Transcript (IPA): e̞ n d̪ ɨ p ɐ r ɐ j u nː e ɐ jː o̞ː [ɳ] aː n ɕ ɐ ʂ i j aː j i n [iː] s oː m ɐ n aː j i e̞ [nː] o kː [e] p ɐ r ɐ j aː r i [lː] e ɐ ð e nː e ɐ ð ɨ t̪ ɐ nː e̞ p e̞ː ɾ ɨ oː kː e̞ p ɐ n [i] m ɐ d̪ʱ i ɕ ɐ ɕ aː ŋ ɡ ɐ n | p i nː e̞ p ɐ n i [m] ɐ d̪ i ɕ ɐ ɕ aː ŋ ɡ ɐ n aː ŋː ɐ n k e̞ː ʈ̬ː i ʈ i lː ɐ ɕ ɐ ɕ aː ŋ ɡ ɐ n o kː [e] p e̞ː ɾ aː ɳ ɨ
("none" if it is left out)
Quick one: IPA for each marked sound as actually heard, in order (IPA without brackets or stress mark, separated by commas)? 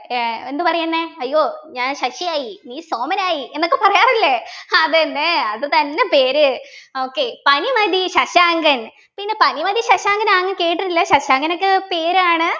ɲ, iː, nː, e, lː, i, m, e